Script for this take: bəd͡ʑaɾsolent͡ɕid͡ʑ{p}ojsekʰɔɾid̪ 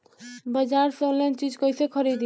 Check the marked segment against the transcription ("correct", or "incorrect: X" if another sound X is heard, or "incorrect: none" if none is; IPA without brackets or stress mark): incorrect: k